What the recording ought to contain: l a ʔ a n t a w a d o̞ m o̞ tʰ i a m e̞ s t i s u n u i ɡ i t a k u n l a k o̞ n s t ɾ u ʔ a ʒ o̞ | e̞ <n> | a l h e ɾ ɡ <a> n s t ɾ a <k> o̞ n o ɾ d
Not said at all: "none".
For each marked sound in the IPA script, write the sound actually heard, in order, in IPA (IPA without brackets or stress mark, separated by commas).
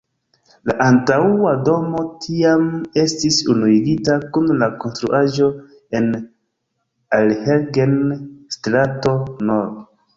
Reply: n, e, t